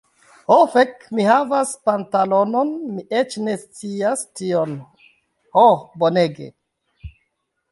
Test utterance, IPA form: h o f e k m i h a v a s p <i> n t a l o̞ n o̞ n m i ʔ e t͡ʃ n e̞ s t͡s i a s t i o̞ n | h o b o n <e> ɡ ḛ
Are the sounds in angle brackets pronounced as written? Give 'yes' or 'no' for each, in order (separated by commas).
no, yes